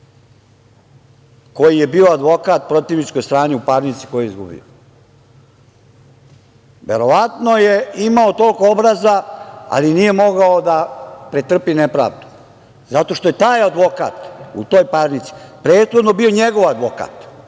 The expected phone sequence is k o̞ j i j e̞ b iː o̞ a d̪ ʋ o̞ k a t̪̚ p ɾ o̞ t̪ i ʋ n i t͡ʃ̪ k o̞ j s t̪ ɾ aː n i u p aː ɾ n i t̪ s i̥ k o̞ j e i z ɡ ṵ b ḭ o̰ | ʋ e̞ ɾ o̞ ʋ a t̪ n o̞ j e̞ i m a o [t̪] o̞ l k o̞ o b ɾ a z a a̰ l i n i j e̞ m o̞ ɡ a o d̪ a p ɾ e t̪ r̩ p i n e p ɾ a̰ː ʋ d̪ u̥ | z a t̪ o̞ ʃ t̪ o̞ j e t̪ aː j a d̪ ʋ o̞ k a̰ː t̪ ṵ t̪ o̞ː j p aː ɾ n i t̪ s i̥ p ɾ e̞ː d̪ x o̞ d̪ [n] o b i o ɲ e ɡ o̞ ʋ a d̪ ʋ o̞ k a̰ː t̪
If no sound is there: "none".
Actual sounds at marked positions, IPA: t̪, n

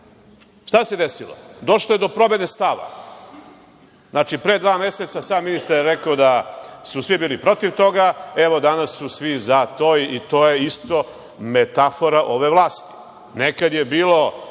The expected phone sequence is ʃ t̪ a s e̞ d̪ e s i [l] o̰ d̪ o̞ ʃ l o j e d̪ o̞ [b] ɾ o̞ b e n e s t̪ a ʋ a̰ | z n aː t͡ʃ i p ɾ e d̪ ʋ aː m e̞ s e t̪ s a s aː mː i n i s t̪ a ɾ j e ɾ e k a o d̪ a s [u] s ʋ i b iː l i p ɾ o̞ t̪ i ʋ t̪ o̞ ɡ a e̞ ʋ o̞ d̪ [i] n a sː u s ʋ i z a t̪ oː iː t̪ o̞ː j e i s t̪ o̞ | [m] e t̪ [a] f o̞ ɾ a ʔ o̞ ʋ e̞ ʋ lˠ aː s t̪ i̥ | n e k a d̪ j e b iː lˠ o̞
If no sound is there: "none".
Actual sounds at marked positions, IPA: l, p, u, a, m, a

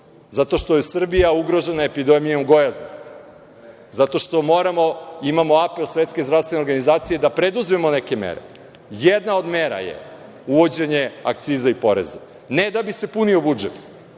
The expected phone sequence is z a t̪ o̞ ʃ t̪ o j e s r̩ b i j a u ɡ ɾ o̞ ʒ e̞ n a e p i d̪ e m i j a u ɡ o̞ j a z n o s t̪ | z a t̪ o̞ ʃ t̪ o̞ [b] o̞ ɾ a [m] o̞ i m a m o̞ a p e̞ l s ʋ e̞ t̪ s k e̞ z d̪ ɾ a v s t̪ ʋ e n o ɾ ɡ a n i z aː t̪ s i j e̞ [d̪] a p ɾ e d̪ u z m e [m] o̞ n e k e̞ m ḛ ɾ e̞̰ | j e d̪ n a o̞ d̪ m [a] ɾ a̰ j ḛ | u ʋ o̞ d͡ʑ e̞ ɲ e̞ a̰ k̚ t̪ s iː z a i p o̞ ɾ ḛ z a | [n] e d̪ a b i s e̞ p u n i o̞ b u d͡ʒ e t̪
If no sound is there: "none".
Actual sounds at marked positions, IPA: m, m, d̪, m, e, n

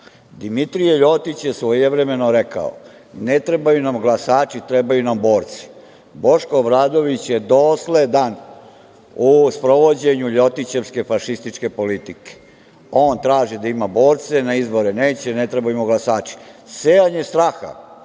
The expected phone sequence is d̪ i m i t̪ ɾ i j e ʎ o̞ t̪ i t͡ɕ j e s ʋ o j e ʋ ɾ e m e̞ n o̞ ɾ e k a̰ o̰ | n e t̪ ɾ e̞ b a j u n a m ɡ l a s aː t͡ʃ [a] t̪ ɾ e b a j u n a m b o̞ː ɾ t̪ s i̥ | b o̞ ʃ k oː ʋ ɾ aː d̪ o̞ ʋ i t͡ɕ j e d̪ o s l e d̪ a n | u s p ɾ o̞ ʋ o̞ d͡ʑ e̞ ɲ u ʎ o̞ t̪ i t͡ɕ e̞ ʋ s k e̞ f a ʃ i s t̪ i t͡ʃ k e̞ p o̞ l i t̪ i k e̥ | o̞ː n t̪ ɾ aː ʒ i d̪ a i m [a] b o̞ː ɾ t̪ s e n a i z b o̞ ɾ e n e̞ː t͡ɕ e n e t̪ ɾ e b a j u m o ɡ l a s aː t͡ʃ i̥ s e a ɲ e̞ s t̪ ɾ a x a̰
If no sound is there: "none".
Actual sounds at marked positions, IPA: i, a

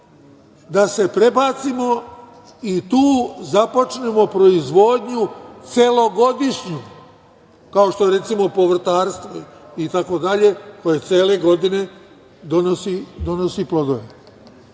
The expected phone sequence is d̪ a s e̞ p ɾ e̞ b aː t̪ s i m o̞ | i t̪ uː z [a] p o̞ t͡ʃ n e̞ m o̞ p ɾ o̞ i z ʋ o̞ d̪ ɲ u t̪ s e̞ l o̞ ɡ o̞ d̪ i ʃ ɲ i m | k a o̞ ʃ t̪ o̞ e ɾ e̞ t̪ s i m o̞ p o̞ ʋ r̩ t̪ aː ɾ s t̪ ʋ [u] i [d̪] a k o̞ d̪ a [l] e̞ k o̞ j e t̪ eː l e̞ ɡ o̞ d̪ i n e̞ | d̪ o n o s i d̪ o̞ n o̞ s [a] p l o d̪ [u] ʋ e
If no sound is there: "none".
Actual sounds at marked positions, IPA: a, o, t̪, ʎ, i, o

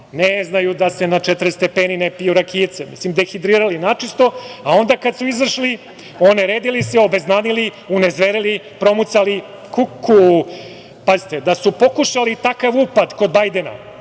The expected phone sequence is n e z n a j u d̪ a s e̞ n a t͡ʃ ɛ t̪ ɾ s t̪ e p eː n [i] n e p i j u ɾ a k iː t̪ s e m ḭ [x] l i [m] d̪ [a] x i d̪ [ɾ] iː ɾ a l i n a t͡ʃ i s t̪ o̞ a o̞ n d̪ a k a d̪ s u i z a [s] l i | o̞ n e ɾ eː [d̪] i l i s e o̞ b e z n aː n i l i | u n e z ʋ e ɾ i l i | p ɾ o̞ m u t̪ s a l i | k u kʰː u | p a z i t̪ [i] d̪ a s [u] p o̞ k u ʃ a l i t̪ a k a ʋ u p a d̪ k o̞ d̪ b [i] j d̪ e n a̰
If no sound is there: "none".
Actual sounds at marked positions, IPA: i, s, m, e, ɾ, ʃ, d̪, e, u, a

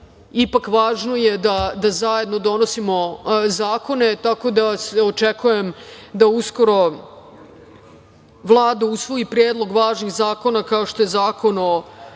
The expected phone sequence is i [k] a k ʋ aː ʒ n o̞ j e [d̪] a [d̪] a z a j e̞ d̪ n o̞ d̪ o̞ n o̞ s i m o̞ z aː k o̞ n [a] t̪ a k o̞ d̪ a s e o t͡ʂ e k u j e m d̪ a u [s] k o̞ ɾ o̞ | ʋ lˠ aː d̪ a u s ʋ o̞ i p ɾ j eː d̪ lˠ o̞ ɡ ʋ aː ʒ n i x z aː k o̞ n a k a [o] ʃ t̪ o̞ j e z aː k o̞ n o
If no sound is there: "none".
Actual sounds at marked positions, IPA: p, d̪, d̪, e, s, o

